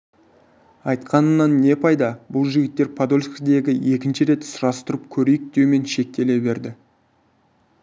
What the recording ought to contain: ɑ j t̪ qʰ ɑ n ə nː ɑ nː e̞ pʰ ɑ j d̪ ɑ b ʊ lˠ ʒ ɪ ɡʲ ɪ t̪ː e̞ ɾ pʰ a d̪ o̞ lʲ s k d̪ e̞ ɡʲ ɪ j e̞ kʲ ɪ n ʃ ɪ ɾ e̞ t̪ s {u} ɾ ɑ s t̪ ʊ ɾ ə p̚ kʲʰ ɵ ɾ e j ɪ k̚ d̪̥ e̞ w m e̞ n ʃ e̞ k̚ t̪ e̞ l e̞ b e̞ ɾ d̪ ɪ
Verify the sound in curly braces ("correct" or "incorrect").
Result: incorrect